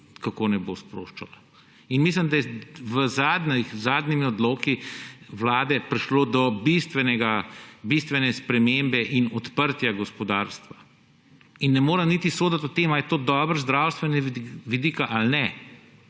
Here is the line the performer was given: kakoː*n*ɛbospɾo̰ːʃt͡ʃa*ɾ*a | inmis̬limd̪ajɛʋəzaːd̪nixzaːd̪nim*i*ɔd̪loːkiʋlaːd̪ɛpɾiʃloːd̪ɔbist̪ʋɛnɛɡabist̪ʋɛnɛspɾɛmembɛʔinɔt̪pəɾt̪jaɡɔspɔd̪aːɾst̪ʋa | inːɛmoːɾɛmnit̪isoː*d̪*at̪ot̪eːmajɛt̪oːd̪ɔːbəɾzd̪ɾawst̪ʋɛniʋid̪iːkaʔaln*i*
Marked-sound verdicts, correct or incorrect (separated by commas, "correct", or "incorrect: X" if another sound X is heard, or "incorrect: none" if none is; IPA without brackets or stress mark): correct, incorrect: l, correct, correct, incorrect: ɛ